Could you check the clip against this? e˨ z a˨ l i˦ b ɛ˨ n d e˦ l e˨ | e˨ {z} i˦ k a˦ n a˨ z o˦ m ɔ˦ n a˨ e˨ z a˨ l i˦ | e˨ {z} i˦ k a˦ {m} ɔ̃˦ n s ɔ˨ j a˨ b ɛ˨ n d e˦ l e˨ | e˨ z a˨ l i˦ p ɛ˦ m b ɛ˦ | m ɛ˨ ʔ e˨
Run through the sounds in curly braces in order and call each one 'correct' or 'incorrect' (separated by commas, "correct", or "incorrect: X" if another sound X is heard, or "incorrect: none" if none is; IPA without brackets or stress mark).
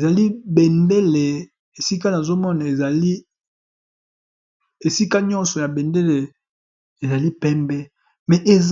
incorrect: s, incorrect: s, incorrect: ɲ